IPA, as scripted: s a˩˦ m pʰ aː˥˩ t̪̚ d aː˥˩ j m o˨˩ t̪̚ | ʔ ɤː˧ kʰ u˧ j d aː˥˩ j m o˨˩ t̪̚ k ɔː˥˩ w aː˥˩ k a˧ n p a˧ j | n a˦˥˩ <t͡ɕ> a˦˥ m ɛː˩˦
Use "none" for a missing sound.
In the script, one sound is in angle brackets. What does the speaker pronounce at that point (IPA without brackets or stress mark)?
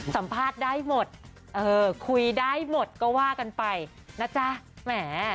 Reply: t͡ɕ